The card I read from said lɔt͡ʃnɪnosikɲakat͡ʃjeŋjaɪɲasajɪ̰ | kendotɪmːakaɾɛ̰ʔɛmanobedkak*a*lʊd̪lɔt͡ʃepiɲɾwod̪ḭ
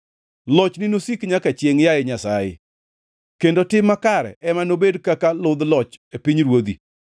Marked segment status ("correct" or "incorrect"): correct